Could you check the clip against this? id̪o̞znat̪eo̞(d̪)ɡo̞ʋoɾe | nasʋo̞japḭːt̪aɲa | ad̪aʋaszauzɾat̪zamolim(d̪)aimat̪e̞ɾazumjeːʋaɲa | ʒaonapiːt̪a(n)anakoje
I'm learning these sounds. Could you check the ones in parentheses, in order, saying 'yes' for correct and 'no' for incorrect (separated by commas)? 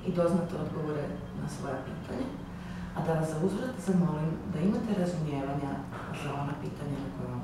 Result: yes, yes, no